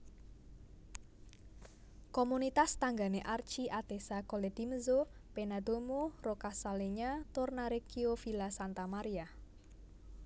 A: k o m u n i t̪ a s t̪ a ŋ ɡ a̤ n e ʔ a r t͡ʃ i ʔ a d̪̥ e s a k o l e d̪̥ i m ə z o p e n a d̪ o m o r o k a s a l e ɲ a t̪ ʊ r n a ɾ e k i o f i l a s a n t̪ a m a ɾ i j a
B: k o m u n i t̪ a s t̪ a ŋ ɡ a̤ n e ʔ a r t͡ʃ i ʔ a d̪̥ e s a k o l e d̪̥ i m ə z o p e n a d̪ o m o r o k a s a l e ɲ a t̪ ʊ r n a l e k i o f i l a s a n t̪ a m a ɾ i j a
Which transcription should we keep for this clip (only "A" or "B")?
A